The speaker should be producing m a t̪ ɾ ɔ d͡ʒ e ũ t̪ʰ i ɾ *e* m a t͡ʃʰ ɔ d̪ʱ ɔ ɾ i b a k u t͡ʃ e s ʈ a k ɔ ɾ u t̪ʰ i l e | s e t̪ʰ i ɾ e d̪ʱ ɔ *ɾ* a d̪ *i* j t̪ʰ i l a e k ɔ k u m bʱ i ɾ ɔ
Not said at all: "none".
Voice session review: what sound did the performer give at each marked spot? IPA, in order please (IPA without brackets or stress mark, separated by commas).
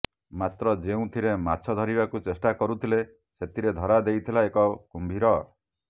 e, ɾ, e